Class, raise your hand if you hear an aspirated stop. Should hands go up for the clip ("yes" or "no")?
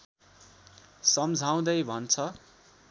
yes